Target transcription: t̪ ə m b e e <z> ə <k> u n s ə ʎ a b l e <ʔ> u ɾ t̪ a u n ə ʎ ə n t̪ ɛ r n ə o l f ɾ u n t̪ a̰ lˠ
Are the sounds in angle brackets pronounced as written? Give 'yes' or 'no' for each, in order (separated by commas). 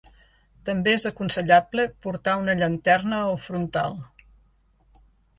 yes, yes, no